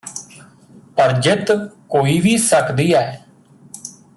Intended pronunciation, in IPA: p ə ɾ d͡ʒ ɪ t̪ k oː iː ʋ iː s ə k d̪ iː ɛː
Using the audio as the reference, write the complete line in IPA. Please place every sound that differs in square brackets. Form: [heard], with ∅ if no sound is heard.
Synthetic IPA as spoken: p ə ɾ d͡ʒ ɪ t̪ k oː iː ʋ iː s ə k d̪ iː ɛː